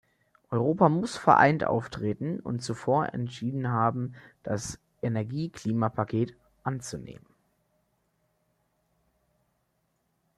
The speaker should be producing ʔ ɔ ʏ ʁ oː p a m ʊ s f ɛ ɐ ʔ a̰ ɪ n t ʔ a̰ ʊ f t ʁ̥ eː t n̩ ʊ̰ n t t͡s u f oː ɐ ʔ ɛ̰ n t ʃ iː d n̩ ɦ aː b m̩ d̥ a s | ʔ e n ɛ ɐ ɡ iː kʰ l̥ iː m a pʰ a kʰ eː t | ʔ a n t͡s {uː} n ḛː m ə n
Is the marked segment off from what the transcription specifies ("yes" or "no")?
yes